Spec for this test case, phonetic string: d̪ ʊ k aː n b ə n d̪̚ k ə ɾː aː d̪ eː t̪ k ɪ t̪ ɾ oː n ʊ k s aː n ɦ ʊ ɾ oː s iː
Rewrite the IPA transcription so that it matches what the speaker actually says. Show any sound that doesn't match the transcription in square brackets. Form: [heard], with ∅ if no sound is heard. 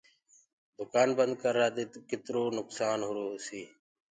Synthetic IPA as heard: d̪ ʊ k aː n b ə n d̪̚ k ə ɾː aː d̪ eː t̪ k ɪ t̪ ɾ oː n ʊ k s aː n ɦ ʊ ɾ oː s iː